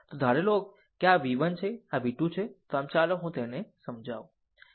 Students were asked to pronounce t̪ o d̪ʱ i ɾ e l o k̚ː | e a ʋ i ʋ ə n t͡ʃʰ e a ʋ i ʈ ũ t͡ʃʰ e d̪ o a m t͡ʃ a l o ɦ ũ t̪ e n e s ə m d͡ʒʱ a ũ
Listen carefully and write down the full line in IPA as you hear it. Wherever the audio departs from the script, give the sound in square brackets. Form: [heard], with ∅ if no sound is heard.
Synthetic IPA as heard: t̪ o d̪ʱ [a] ɾ e l o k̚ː | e a ʋ i ʋ ə n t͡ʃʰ e a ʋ i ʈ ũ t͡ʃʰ e [t̪] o a m t͡ʃ a l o ɦ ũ t̪ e n e s ə m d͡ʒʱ a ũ